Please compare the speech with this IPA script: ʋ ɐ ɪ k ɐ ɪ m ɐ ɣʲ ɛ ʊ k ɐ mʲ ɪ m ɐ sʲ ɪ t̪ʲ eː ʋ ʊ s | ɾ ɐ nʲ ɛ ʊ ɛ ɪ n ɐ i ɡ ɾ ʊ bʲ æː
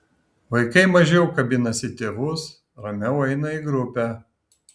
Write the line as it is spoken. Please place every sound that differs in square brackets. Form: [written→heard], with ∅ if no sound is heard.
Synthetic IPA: ʋ ɐ ɪ k ɐ ɪ m ɐ [ɣʲ→ʒʲ] ɛ ʊ k ɐ [mʲ→bʲ] ɪ [m→n] ɐ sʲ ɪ t̪ʲ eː ʋ ʊ s | ɾ ɐ [nʲ→mʲ] ɛ ʊ ɛ ɪ n ɐ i ɡ ɾ ʊ [bʲ→pʲ] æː